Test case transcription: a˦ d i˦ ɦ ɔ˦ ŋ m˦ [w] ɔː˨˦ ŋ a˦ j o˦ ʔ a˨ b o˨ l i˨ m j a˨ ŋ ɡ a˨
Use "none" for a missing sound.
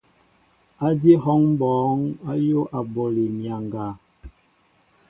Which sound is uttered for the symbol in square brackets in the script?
b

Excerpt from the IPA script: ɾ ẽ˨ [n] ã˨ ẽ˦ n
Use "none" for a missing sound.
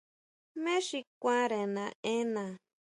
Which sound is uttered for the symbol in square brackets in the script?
n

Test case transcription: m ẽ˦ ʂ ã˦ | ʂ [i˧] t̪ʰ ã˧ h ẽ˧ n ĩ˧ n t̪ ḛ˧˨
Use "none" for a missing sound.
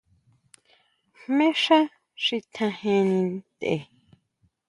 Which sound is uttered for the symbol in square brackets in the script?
i˧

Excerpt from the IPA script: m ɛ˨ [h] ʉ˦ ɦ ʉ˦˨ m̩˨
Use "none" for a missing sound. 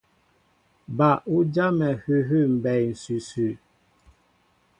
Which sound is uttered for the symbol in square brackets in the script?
h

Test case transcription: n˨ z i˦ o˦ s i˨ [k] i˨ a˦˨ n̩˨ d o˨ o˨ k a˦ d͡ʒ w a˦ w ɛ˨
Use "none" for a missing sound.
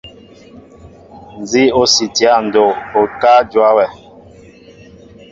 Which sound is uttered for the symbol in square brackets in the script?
t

